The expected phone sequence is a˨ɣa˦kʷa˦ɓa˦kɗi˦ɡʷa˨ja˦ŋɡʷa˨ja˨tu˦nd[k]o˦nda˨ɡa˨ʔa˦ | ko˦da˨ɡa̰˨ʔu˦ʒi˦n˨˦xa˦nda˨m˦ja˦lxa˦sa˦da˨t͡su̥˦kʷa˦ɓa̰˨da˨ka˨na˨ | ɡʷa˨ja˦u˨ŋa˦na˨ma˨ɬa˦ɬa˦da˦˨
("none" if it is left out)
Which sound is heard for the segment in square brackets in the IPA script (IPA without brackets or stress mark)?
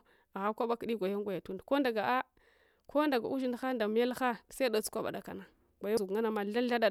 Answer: k